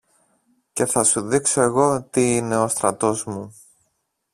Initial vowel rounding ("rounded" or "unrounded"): unrounded